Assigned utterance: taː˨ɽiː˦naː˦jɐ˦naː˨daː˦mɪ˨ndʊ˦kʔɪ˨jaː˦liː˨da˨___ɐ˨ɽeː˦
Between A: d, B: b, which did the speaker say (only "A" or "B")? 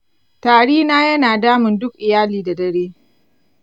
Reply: A